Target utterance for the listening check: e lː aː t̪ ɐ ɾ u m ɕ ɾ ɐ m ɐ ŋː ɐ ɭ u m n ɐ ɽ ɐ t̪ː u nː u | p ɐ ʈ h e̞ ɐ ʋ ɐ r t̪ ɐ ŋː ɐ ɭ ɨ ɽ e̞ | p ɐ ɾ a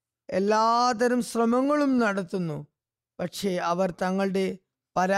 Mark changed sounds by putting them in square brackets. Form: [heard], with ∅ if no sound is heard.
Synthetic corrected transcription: e lː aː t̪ ɐ ɾ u m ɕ [r] ɐ m ɐ ŋː ɐ ɭ u m n ɐ ɽ ɐ t̪ː u nː u | p ɐ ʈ [ʂ] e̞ ɐ ʋ ɐ r t̪ ɐ ŋː ɐ ɭ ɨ ɽ e̞ | p ɐ ɾ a